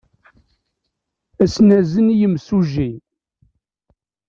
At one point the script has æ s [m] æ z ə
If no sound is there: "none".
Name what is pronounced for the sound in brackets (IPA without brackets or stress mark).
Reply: n